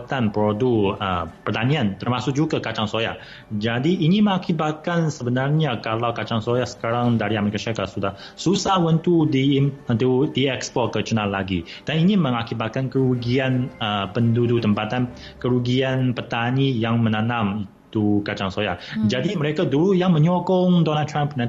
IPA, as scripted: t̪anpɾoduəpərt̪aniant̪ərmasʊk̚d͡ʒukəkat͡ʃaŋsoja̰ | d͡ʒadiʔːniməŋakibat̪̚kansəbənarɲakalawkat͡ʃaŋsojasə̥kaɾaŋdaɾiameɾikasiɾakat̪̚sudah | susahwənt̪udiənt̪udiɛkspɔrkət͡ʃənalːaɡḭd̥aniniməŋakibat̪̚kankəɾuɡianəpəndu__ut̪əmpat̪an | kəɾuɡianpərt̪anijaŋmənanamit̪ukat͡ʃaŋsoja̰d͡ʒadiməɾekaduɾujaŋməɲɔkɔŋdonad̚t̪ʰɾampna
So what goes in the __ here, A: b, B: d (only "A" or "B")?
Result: B